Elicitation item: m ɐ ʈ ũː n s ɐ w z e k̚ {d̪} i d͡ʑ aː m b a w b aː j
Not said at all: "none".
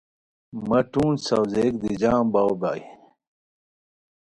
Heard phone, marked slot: d̪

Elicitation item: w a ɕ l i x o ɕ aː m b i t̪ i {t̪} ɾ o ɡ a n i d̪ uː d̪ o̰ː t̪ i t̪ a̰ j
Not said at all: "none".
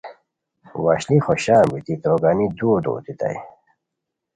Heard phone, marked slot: t̪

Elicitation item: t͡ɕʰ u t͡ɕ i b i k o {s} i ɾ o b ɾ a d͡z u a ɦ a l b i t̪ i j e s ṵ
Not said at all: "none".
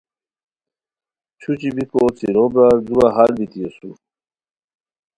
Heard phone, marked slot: t͡s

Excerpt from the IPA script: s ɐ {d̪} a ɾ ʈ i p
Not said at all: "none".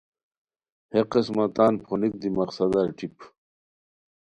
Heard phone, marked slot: d̪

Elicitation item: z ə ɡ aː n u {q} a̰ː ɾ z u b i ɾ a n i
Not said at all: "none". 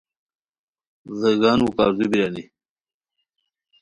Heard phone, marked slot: k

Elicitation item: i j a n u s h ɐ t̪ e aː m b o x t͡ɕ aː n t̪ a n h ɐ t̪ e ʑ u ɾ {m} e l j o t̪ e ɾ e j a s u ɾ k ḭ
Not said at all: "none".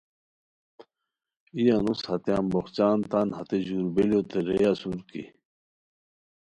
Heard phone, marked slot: b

